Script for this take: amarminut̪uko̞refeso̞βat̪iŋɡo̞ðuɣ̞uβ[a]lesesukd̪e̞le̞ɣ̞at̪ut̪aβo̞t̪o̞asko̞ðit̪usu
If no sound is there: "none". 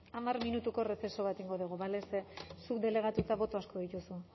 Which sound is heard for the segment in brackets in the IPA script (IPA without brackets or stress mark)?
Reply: a